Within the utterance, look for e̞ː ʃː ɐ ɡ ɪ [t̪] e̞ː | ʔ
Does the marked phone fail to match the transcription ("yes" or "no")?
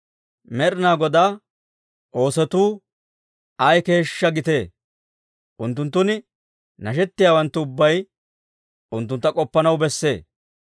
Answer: no